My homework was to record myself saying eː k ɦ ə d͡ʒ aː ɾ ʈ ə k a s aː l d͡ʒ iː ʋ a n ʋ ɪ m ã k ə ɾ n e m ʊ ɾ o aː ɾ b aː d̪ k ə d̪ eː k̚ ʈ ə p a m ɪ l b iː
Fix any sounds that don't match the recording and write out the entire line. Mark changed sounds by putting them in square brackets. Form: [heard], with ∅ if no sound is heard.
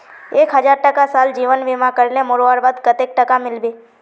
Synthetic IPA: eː k ɦ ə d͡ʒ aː ɾ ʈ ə k a s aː l d͡ʒ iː ʋ [ə] n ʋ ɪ m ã k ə ɾ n e m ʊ ɾ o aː ɾ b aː d̪ k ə [t̪] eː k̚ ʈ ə [k] a m ɪ l b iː